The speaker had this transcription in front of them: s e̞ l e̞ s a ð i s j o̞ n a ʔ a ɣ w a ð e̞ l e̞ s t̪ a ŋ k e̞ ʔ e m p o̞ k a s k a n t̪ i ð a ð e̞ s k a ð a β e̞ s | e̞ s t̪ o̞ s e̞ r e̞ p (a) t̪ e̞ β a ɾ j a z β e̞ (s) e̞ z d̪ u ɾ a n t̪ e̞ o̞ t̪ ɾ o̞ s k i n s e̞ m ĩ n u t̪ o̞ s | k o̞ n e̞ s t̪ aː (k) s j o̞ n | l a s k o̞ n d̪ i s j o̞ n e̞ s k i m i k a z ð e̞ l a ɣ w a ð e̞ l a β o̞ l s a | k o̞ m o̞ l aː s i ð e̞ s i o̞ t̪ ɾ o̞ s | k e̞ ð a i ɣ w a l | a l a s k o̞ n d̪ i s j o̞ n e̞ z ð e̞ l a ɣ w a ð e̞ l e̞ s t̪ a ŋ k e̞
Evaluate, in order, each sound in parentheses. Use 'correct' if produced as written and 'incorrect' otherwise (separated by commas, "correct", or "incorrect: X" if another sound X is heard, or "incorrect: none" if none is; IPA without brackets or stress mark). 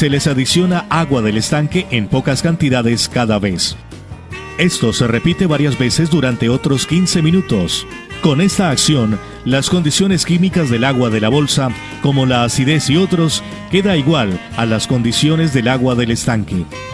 incorrect: i, correct, correct